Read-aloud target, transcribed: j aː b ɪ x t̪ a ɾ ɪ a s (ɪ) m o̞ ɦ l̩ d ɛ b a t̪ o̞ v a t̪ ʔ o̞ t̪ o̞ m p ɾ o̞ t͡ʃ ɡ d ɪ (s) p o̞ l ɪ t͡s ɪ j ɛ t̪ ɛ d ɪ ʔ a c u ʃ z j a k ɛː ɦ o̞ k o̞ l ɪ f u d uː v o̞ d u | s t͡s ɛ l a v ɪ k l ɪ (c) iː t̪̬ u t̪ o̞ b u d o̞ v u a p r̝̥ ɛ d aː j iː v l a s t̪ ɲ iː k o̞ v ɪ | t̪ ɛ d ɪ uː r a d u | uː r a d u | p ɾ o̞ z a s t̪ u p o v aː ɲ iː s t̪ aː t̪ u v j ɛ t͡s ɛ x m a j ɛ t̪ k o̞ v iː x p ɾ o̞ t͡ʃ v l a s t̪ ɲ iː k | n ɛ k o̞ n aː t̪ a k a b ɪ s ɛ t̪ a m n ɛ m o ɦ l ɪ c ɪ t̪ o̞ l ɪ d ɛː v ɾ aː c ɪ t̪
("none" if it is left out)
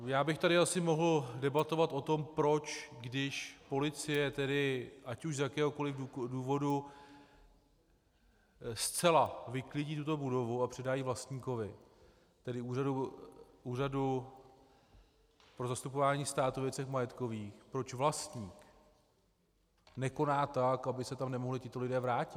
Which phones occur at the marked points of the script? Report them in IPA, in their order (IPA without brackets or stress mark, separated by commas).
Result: ɪ, ʃ, ɟ